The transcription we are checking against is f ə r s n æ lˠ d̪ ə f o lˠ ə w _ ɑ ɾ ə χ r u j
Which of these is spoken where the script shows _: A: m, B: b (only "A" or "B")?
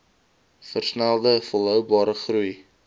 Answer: B